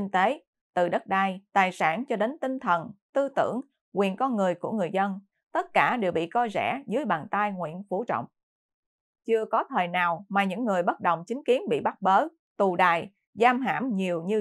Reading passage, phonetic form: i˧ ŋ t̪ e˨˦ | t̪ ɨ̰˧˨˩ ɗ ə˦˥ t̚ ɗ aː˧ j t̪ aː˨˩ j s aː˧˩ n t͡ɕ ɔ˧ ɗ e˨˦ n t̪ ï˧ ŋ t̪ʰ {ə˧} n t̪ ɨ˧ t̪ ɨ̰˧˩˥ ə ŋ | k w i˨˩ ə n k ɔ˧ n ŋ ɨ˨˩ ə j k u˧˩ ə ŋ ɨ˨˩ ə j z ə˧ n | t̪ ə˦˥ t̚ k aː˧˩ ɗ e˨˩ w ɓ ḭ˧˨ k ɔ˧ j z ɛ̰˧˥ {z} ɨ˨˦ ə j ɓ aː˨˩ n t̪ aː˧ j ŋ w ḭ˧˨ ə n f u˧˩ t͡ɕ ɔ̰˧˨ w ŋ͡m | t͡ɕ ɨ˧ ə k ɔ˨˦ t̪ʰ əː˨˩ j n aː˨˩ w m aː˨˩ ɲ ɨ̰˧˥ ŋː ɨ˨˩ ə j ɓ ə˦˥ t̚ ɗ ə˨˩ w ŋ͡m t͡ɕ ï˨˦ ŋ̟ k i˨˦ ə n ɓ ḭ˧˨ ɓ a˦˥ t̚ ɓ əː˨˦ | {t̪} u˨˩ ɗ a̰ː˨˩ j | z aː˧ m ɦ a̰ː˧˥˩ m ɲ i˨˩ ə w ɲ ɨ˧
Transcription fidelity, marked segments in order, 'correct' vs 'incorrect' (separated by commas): incorrect, correct, correct